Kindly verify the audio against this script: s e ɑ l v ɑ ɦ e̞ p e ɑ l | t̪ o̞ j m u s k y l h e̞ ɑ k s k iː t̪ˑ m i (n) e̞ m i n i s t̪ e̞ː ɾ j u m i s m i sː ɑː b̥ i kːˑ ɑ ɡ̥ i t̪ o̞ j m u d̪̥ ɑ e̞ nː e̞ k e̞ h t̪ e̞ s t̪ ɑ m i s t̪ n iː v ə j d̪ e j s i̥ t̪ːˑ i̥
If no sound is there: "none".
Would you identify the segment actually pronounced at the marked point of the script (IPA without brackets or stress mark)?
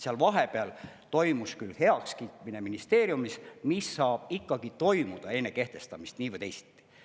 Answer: n